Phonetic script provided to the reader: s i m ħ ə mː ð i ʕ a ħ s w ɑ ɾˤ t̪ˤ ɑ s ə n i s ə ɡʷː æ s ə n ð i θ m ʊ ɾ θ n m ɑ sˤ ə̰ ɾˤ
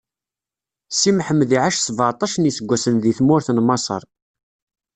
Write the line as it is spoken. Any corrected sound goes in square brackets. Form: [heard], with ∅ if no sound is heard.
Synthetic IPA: s i m ħ ə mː ð i ʕ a [ʃ] s [v] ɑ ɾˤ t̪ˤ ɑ [ʃ] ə n i s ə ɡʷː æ s ə n ð i θ m ʊ ɾ θ n m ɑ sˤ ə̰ ɾˤ